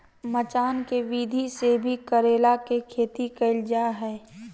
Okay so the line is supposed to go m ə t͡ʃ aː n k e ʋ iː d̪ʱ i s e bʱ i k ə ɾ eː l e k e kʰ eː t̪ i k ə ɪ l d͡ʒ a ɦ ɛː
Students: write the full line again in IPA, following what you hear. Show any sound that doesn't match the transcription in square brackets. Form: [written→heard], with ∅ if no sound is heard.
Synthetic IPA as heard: m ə t͡ʃ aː n k e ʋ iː d̪ʱ i s e bʱ i k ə ɾ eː l [e→a] k e kʰ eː t̪ i k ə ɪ l d͡ʒ a ɦ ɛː

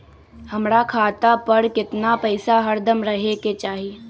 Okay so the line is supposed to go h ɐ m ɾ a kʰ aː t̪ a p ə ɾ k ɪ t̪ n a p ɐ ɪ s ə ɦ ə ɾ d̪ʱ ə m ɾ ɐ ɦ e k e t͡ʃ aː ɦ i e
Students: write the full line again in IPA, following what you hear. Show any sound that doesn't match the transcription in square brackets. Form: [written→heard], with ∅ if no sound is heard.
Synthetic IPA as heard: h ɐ m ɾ a kʰ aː t̪ a p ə ɾ k ɪ t̪ n a p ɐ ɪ s [ə→a] ɦ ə ɾ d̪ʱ ə m ɾ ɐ ɦ e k e t͡ʃ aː ɦ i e

